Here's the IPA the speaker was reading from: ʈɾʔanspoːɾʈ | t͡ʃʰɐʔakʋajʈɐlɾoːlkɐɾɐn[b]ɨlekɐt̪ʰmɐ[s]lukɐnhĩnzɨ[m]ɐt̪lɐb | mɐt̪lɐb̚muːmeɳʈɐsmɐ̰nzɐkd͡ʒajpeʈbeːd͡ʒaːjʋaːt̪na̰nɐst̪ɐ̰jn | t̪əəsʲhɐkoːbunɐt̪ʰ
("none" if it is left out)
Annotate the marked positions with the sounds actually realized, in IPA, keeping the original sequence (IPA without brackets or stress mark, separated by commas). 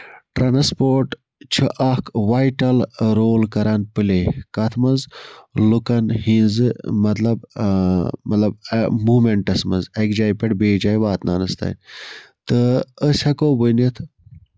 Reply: p, z, m